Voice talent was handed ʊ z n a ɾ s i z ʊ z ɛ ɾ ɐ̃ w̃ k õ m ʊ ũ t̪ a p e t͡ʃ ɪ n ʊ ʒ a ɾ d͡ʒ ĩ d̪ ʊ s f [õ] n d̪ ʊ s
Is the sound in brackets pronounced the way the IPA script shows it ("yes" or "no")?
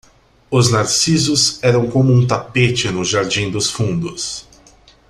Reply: no